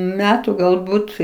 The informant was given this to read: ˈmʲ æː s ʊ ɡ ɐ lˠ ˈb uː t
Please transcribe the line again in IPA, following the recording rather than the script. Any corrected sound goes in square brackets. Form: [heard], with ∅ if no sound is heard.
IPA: ˈmʲ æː [t] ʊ ɡ ɐ lˠ ˈb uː t